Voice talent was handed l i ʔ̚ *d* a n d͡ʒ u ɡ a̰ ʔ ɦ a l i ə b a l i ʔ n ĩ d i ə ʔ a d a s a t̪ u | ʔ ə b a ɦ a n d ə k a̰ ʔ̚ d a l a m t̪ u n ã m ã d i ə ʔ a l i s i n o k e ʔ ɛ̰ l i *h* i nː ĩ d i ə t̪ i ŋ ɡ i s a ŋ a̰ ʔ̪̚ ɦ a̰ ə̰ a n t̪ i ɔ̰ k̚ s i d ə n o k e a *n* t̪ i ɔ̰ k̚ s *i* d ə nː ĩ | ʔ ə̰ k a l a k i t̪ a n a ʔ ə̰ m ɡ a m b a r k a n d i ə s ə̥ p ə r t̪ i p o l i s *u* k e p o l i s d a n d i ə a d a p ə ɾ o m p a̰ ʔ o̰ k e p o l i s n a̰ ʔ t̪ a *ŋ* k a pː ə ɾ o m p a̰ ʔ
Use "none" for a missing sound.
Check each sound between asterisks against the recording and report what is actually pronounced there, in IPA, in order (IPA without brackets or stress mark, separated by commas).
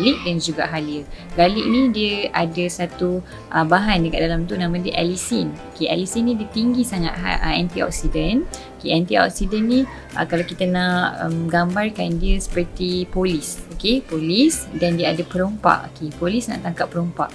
d, s, n, i, o, ŋ